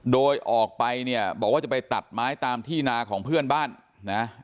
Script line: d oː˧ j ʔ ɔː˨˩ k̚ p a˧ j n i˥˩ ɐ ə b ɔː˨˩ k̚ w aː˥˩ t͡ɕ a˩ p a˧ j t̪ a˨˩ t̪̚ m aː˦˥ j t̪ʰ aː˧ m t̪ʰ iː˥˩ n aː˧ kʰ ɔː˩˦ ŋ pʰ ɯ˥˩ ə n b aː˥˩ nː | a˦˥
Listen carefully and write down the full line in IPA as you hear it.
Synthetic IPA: d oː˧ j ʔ ɔː˨˩ k̚ p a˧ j n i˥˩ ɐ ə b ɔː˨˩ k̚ w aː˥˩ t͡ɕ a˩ p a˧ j t̪ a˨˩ t̪̚ m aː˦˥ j t̪ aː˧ m t̪ʰ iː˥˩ n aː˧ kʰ ɔː˩˦ ŋ pʰ ɯ˥˩ ə n b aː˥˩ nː | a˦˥